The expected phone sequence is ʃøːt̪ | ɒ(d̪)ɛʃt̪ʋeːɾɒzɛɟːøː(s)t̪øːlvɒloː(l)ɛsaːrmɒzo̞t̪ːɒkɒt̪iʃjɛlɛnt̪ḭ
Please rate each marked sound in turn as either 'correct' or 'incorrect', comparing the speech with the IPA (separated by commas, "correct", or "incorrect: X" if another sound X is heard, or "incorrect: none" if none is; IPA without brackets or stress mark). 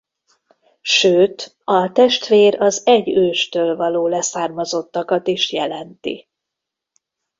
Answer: incorrect: t̪, incorrect: ʃ, correct